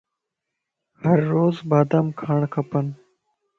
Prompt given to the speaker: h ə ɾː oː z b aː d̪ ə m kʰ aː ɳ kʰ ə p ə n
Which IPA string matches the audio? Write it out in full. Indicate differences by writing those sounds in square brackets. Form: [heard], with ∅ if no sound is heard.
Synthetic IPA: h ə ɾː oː z b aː d̪ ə m kʰ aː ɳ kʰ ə p ə n